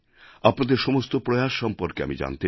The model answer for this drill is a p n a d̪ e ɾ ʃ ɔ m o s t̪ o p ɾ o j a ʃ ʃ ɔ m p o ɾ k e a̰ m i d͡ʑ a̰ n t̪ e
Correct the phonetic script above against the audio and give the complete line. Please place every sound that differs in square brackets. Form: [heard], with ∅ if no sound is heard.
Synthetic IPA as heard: a p n a d̪ e ɾ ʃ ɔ m o s t̪ o p ɾ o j a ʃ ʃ ɔ m p o ɾ k e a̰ m i d͡ʑ a̰ n t̪ e